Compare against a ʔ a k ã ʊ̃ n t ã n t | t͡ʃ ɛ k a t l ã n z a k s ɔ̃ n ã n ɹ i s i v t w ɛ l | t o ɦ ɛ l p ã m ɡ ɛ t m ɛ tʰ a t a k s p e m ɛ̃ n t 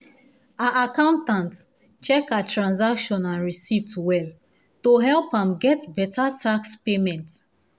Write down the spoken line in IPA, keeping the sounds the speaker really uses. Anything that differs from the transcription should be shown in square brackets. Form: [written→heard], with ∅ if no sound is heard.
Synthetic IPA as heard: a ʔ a k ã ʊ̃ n t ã n t | t͡ʃ ɛ k a t [l→ɹ] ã n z a k [s→ʃ] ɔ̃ n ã n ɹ i s i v t w ɛ l | t o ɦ ɛ l p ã m ɡ ɛ t [m→b] ɛ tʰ a t a k s p e m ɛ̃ n t

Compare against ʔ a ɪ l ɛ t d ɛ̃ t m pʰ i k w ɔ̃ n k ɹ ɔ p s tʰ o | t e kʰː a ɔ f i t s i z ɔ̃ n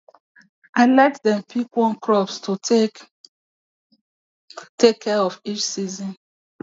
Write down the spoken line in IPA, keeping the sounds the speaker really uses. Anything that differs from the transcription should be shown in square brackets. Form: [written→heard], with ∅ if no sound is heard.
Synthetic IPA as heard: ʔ a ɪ l ɛ t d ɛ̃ [t→∅] m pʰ i k w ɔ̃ n k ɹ ɔ p s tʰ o | t e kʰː [a→ɛ] ɔ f i [t→t͡ʃ] s i z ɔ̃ n

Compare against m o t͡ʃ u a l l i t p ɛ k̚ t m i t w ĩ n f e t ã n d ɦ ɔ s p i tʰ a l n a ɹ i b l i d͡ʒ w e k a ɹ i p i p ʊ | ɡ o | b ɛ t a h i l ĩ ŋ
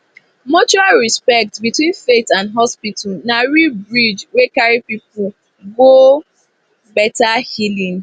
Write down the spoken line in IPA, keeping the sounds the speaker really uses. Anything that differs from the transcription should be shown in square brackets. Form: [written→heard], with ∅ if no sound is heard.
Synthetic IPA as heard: m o t͡ʃ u a l [l→ɹ] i [t→s] p ɛ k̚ t [m→b] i t w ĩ n f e t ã n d ɦ ɔ s p i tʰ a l n a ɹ i b [l→ɹ] i d͡ʒ w e k a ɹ i p i p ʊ | ɡ o | b ɛ t a h i l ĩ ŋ

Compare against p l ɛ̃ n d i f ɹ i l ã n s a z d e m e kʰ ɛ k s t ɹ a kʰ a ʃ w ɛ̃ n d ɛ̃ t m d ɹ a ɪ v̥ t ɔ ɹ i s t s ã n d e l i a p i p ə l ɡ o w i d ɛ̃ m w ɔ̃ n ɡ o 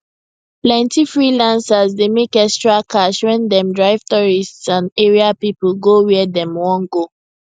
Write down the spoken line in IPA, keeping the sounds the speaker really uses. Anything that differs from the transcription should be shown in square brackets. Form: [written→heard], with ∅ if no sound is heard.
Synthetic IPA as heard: p l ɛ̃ n [d→t] i f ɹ i l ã n s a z d e m e [kʰ→k] ɛ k s t ɹ a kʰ a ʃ w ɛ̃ n d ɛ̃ [t→∅] m d ɹ a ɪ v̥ t ɔ ɹ i s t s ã n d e [l→ɹ] i a p i p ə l ɡ o w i d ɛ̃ m w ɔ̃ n ɡ o

